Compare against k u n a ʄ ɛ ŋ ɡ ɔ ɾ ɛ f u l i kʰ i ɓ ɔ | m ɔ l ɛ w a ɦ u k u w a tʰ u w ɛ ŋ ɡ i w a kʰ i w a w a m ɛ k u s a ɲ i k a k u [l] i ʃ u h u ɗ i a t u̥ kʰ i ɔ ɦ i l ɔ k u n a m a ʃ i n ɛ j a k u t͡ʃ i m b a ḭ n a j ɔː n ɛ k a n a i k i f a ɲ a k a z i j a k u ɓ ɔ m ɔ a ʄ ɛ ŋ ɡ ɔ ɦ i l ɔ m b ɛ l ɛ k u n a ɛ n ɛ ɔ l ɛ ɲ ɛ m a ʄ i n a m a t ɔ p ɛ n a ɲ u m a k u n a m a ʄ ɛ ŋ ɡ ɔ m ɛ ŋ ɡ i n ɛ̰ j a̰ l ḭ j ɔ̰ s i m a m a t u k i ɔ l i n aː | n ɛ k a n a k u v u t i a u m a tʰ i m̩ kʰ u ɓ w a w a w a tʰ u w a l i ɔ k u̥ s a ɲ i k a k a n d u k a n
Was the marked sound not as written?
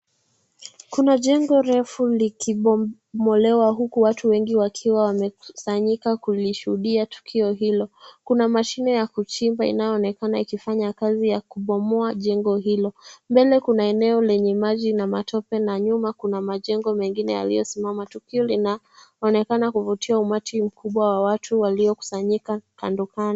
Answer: no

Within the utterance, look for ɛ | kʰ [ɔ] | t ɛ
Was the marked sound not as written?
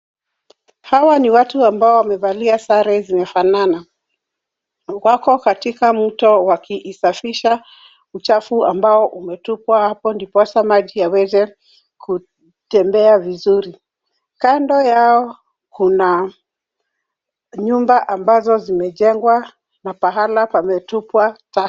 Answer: yes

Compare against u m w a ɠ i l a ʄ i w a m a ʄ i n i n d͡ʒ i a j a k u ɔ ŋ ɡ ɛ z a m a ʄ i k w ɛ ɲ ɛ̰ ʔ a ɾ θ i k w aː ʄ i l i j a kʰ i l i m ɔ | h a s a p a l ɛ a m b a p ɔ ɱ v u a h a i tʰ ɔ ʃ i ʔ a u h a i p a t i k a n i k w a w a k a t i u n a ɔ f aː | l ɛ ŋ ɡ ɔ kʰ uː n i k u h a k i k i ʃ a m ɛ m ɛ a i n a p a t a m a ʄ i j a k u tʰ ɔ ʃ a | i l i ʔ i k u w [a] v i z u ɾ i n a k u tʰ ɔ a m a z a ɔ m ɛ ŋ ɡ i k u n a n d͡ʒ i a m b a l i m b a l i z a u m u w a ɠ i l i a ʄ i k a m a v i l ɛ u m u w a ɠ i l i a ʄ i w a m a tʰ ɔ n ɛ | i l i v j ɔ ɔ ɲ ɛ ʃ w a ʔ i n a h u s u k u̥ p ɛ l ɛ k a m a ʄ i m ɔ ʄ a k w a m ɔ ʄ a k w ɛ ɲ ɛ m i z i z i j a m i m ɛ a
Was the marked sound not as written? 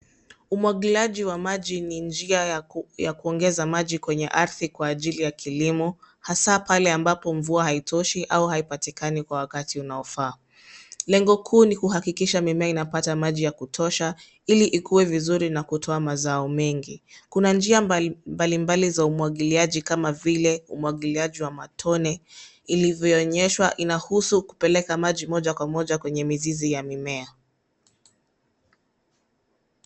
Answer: yes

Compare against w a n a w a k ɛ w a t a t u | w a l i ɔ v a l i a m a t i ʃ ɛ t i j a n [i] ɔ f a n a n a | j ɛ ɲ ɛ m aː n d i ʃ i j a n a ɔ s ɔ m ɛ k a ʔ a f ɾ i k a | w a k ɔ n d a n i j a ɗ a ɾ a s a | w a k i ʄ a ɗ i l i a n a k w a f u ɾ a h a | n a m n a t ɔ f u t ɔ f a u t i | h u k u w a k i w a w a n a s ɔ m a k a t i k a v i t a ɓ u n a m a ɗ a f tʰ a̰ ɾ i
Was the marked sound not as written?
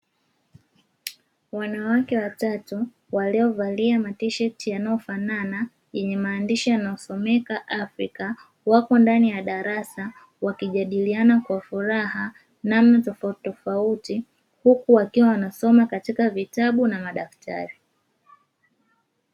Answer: yes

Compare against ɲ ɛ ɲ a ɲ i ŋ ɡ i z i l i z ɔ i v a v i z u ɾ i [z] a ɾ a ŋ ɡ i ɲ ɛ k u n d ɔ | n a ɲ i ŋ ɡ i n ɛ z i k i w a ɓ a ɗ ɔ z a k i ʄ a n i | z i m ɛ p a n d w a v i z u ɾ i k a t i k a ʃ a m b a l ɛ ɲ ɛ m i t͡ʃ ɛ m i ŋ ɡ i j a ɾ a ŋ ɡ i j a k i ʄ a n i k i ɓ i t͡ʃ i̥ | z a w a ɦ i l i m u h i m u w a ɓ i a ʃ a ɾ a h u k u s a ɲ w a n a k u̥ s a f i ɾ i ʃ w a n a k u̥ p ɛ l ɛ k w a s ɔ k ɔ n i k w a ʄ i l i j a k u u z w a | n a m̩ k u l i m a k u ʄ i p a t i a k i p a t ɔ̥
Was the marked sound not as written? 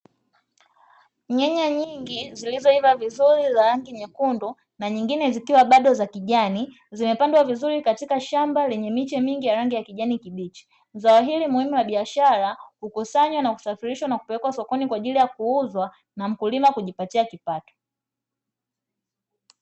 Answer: no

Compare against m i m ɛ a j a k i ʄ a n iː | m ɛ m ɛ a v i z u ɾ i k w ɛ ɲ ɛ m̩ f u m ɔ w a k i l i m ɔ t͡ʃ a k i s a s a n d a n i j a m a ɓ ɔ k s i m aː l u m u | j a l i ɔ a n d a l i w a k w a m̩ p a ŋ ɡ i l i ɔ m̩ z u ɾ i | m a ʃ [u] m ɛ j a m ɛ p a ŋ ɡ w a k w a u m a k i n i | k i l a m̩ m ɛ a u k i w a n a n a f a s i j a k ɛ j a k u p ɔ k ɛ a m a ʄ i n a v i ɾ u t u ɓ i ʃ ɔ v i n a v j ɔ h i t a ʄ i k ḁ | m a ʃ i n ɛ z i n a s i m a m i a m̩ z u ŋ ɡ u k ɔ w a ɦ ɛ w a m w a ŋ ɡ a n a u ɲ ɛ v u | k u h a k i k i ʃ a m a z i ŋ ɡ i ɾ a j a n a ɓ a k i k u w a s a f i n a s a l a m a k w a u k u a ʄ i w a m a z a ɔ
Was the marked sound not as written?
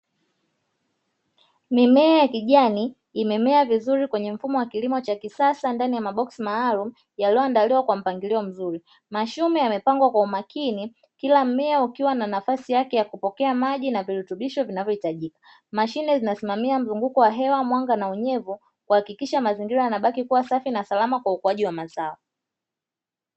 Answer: no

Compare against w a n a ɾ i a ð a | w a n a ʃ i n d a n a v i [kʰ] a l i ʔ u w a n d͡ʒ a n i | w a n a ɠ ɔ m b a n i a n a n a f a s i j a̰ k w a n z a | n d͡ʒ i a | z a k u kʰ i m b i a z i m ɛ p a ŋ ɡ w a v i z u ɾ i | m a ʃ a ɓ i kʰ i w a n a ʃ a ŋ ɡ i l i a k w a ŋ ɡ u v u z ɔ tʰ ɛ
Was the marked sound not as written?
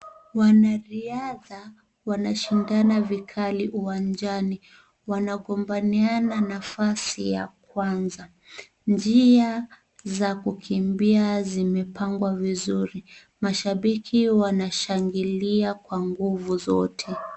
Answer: no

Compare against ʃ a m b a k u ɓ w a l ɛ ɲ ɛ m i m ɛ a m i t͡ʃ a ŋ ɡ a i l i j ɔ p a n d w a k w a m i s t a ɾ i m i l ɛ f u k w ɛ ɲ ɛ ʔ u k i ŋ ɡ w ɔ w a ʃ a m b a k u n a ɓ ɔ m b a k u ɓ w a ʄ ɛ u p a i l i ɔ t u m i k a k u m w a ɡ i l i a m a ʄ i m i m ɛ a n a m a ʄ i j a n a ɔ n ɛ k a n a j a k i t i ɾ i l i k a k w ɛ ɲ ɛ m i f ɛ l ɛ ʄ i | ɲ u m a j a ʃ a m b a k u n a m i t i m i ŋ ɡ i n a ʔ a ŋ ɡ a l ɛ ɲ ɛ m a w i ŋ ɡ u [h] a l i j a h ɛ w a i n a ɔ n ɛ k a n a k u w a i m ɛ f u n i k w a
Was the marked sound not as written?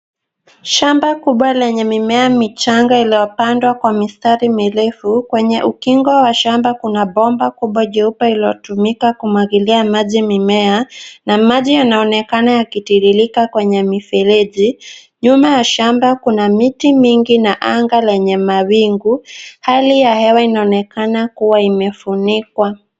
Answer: no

